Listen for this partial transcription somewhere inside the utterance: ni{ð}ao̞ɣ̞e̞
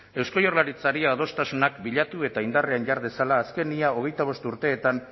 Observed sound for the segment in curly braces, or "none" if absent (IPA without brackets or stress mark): none